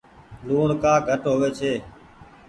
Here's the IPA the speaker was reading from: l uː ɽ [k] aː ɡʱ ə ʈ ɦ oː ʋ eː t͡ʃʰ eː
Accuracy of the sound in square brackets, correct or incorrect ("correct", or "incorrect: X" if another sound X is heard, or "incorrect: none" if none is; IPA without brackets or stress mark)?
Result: correct